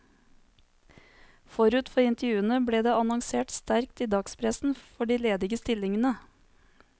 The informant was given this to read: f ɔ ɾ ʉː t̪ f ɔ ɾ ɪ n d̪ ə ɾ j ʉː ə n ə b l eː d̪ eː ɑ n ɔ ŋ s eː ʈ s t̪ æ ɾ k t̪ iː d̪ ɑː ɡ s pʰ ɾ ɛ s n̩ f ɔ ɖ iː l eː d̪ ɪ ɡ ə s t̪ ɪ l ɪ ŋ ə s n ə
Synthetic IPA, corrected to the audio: f ɔ ɾ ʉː t̪ f ɔ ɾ ɪ n t̪ ə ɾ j ʉː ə n ə b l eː d̪ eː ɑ n ɔ ŋ s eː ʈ s t̪ æ ɾ k t̪ iː d̪ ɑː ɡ s pʰ ɾ ɛ s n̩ f ɔ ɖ iː l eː d̪ ɪ ɡ ə s t̪ ɪ l ɪ ŋ ə n ə